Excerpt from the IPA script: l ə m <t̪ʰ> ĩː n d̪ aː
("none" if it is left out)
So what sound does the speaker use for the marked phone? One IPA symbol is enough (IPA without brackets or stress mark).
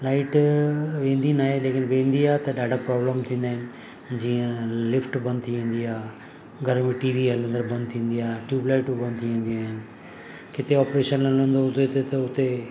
t̪ʰ